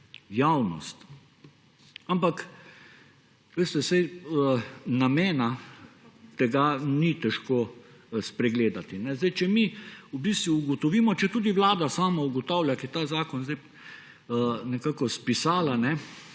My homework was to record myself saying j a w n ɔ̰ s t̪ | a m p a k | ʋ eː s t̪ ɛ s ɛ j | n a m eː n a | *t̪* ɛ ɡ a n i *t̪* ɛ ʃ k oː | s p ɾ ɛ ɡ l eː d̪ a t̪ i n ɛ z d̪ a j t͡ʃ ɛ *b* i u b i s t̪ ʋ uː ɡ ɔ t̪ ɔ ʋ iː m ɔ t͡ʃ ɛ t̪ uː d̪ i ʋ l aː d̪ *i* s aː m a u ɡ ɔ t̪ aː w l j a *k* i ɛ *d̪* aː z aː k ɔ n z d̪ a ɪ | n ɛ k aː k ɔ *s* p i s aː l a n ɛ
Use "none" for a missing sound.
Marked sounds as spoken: t̪, t̪, m, a, k, t̪, s

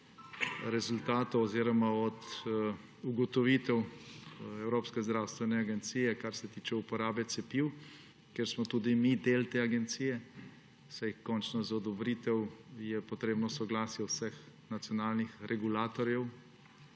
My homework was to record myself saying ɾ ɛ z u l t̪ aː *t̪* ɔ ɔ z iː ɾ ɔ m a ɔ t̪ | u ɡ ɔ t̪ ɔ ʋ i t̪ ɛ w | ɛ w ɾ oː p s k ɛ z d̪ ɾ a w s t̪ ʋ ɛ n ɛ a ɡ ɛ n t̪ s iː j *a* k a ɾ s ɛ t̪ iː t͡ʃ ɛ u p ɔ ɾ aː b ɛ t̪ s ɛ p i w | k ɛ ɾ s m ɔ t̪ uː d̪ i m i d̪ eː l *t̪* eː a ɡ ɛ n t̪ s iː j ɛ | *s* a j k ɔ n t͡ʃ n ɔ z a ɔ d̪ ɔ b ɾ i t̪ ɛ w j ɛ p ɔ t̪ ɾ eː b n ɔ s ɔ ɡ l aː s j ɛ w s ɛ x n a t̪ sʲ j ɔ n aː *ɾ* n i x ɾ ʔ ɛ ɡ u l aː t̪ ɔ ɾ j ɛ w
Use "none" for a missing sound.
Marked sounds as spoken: t̪, ɛ, t̪, s, l

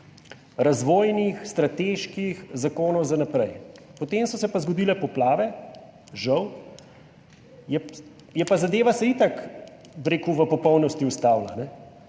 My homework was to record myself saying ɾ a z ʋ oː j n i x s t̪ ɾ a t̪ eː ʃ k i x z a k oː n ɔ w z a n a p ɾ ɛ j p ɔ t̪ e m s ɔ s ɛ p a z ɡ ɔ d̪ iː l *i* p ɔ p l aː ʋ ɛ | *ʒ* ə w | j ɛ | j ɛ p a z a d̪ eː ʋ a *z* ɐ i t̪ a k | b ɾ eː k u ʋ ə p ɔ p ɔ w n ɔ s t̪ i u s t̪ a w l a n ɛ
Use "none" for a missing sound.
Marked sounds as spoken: ɛ, ʒ, s

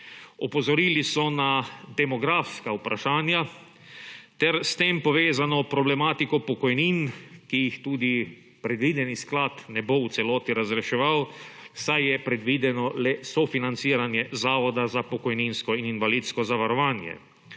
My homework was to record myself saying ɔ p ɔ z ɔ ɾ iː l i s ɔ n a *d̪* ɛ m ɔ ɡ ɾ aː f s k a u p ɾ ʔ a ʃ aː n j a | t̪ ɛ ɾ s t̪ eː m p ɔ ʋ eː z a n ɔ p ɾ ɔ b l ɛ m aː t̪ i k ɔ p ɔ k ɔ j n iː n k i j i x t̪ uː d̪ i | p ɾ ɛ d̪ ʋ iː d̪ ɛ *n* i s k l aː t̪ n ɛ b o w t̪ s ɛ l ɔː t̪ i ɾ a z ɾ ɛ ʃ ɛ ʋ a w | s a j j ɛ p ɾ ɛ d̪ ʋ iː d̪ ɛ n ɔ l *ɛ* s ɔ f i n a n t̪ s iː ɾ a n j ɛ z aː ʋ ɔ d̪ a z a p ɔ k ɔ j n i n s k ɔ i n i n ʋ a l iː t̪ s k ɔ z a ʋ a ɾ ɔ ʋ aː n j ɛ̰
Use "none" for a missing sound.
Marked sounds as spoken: d̪, n, ɛ

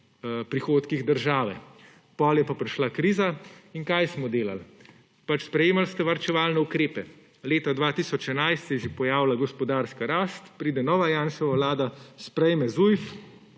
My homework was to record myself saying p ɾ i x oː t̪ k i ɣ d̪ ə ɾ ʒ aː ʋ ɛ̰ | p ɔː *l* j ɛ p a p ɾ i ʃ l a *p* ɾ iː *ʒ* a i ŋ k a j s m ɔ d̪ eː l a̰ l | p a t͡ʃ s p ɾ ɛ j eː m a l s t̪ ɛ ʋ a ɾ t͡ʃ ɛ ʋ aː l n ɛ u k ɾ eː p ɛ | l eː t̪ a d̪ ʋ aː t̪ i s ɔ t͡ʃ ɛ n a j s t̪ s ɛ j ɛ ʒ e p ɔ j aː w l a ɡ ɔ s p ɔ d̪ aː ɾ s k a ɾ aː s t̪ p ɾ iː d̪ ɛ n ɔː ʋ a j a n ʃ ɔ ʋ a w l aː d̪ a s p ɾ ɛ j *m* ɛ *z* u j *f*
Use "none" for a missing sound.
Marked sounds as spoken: l, k, z, m, z, f

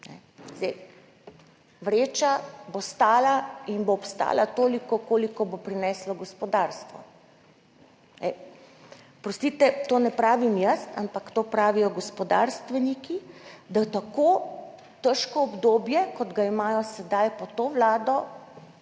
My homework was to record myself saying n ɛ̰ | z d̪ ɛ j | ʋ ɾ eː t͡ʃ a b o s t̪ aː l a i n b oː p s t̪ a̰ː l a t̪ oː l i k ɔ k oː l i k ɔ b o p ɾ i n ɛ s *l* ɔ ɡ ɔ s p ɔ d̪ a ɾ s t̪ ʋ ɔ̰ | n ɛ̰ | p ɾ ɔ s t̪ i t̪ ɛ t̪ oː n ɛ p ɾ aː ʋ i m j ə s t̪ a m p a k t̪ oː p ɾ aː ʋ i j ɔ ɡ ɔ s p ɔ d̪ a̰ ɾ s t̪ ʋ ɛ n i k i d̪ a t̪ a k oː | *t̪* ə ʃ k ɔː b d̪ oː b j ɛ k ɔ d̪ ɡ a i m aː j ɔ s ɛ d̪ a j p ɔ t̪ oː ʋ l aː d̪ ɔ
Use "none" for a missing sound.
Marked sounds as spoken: l, t̪

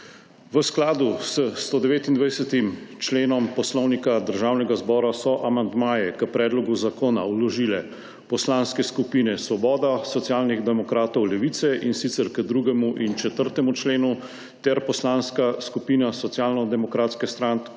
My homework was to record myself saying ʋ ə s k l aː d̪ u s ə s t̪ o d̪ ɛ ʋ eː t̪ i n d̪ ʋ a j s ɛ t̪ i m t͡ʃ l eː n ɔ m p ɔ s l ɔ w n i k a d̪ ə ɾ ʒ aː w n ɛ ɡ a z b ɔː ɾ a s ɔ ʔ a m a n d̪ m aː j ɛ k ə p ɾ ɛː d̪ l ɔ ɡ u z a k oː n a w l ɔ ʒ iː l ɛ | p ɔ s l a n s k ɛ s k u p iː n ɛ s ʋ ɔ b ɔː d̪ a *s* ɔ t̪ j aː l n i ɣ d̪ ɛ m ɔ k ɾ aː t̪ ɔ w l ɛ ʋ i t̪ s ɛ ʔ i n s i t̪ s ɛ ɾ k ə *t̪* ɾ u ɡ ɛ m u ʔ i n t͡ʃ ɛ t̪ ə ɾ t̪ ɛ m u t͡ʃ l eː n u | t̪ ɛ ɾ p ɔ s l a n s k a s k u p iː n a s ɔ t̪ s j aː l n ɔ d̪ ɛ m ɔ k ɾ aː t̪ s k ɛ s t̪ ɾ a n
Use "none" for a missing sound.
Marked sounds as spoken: s, d̪

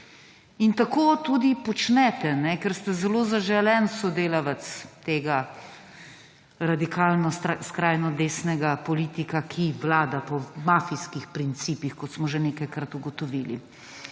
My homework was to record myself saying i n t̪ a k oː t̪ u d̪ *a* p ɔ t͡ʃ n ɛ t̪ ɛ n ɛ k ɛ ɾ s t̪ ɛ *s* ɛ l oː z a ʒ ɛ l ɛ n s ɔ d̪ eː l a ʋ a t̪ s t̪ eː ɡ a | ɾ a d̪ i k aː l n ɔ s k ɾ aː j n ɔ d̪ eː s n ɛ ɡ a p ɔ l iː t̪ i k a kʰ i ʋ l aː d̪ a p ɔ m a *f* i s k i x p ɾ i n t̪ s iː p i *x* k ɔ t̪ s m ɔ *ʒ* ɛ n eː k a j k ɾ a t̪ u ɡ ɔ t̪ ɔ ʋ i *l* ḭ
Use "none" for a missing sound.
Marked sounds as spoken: i, z, f, x, ʒ, l

